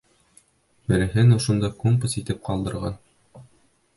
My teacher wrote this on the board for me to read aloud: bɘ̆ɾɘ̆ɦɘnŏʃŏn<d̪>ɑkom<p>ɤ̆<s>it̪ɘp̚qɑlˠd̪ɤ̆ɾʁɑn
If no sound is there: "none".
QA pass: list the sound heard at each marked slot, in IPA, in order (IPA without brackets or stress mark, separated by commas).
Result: d̪, p, s